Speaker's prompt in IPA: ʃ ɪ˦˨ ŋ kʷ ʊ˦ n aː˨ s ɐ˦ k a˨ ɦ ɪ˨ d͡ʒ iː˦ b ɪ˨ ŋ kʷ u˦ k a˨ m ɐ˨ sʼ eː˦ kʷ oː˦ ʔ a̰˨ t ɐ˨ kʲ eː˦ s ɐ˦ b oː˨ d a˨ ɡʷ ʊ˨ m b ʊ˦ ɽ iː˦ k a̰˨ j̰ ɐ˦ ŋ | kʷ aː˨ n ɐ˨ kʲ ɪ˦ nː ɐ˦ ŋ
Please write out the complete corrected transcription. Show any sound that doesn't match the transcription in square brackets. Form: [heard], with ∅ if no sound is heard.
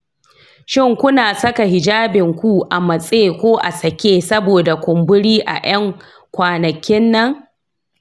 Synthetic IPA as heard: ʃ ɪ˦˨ ŋ kʷ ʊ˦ n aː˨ s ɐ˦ k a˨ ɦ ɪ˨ d͡ʒ [aː˦] b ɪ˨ ŋ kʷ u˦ [ʔ] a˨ m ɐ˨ sʼ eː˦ kʷ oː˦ ʔ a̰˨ [s] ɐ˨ kʲ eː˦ s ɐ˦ b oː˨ d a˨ [kʷ] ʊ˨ m b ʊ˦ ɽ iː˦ [ʔ] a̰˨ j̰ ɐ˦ ŋ | kʷ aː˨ n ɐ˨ kʲ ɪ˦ nː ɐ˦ ŋ